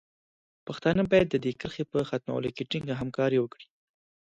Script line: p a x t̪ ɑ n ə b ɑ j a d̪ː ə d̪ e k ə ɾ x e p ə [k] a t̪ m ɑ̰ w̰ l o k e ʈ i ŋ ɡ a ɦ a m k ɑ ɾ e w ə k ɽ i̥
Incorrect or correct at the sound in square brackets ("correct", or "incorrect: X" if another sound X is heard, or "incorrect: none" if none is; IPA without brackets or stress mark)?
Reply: incorrect: x